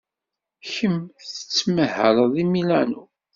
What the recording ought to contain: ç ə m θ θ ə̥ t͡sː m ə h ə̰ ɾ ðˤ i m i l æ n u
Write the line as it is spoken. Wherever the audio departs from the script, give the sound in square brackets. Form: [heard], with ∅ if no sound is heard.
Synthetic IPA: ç ə m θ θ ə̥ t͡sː m ə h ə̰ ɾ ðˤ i m i l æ n u